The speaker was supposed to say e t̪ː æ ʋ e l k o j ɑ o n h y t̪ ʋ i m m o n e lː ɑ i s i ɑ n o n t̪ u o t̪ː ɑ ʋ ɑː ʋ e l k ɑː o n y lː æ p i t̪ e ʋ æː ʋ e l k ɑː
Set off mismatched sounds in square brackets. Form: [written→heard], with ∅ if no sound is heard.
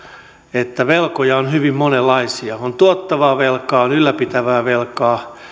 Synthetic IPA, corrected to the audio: e t̪ː æ ʋ e l k o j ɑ o n h y [t̪→∅] ʋ i m m o n e lː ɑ i s i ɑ [n→∅] o n t̪ u o t̪ː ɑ ʋ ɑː ʋ e l k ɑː o n y lː æ p i t̪ [e→æ] ʋ æː ʋ e l k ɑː

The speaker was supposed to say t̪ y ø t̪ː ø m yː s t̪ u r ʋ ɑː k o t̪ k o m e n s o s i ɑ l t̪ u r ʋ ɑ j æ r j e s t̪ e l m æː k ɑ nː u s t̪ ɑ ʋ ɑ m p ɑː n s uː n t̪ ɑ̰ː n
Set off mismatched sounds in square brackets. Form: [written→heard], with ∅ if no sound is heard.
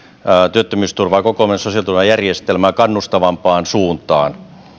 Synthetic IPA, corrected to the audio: t̪ y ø t̪ː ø m yː s t̪ u r ʋ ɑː k o [t̪→∅] k o m e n s o s i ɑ l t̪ u r ʋ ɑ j æ r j e s t̪ e l m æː k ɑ nː u s t̪ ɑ ʋ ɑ m p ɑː n s uː n t̪ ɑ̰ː n

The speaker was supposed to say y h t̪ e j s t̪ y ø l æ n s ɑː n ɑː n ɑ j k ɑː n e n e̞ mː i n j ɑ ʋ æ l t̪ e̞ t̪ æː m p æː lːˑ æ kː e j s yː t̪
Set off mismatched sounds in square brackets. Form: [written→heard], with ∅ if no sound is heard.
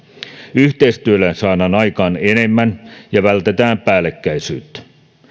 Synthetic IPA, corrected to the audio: y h t̪ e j s t̪ y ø l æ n s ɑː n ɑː n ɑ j k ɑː n e n e̞ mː [i→æ] n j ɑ ʋ æ l t̪ e̞ t̪ æː m p æː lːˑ [æ→e] kː [e→æ] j s yː t̪

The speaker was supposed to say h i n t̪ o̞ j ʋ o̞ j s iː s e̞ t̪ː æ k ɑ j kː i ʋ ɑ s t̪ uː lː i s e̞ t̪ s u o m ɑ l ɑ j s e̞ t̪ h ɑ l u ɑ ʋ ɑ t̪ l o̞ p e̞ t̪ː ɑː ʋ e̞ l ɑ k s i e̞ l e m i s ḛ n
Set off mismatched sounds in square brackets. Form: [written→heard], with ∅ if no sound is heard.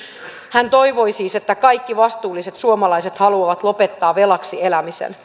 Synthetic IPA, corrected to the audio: h [i→æ] n t̪ o̞ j ʋ o̞ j s iː s e̞ t̪ː æ k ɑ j kː i ʋ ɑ s t̪ uː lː i s e̞ t̪ s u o m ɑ l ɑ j s e̞ t̪ h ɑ l u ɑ ʋ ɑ t̪ l o̞ p e̞ t̪ː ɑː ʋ e̞ l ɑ k s i e̞ l [e→æ] m i s ḛ n

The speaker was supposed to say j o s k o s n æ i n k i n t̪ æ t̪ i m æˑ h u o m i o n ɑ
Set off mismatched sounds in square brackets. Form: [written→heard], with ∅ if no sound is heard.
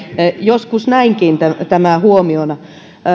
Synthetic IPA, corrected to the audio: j o s k [o→u] s n æ i [n→ŋ] k i n t̪ æ t̪ [i→æ] m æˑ h u o m i o n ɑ

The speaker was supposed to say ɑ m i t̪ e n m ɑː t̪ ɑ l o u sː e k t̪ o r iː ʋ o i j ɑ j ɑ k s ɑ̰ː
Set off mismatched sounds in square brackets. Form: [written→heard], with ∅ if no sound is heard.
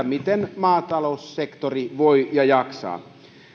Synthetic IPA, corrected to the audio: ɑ m i t̪ e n m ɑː t̪ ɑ l o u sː e k t̪ o r [iː→i] ʋ o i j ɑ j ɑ k s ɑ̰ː

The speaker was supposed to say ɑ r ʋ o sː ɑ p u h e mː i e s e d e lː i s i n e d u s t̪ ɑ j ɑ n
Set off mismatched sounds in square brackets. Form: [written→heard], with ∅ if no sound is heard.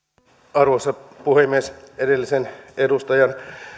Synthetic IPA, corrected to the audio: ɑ r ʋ o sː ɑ p u h e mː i e s e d e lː i s [i→e] n e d u s t̪ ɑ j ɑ n

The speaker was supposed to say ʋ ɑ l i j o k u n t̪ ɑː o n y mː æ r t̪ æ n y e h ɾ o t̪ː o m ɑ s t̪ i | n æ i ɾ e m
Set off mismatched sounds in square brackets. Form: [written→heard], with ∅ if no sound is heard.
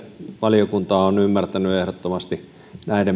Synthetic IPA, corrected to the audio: ʋ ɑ l i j o k u n t̪ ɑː o n y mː æ r t̪ æ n y e h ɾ o t̪ː o m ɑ s t̪ i | n æ i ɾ e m

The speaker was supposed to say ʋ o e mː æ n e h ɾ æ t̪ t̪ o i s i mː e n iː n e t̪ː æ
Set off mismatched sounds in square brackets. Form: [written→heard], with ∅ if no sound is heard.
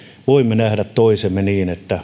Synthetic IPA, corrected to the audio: ʋ o [e→i] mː [æ→e] n [e→æ] h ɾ æ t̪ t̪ o i s [i→e] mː e n iː n e t̪ː æ

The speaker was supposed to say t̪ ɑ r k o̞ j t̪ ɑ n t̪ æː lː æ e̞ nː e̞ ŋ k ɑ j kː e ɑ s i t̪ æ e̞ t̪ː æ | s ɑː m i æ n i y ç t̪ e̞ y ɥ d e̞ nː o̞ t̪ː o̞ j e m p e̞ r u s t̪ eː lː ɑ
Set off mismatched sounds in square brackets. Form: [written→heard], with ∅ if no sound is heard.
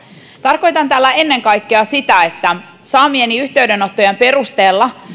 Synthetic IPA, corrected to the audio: t̪ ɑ r k o̞ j t̪ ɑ n t̪ æː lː æ e̞ nː e̞ ŋ k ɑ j kː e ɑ s i t̪ æ e̞ t̪ː æ | s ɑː m i [æ→e] n i y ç t̪ e̞ y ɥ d e̞ [nː→n] o̞ t̪ː o̞ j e m p e̞ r u s t̪ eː lː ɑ

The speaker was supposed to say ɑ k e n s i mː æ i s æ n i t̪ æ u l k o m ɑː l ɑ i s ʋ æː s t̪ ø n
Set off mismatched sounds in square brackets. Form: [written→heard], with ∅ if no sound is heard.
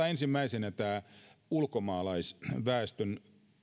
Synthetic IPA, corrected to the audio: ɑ [k→∅] e n s i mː æ i s [æ→e] n [i→æ] t̪ [æ→æː] u l k o m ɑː l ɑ i s ʋ æː s t̪ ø n

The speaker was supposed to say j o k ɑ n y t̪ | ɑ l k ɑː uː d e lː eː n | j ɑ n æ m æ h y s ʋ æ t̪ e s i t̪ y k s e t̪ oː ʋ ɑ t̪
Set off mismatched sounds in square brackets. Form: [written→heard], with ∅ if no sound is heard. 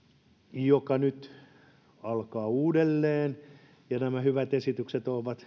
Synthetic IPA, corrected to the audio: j o k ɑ n y t̪ | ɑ l k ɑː uː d e lː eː n | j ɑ n æ m æ h y [s→∅] ʋ æ t̪ e s i t̪ y k s e t̪ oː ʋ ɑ t̪

